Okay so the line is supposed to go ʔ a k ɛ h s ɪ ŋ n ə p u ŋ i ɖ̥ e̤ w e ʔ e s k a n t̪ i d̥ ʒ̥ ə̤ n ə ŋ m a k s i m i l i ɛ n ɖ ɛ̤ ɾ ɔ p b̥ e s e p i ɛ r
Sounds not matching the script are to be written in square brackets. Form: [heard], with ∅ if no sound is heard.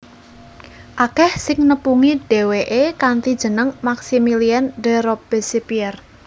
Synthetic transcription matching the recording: ʔ a k ɛ h s ɪ ŋ n ə p u ŋ i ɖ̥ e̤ w e ʔ e [∅] k a n t̪ i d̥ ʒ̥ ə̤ n ə ŋ m a k s i m i l i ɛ n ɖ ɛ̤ ɾ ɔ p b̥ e s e p i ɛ r